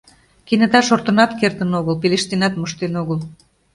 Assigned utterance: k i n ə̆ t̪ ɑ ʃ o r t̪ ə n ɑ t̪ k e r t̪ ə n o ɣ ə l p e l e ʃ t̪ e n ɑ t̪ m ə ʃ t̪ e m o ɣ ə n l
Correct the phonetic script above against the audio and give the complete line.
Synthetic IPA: k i n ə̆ t̪ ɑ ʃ o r t̪ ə n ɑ t̪ k e r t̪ ə n o ɣ ə l p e l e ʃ t̪ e n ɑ t̪ m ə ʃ t̪ e n o ɣ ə l